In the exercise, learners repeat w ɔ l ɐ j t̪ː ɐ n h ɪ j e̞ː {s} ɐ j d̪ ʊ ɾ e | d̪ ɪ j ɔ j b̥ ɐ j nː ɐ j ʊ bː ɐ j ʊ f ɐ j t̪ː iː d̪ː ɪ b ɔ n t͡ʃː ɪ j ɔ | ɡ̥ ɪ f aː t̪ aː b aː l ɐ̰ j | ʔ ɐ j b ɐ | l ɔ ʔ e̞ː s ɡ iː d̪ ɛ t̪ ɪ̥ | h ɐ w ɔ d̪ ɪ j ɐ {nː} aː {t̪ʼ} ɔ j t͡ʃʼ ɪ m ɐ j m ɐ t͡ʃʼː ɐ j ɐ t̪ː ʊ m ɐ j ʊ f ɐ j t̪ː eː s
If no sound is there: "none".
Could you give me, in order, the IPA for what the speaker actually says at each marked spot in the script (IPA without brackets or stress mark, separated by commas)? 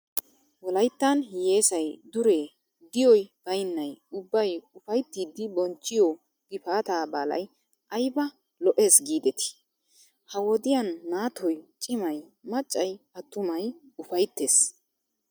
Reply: s, nː, t̪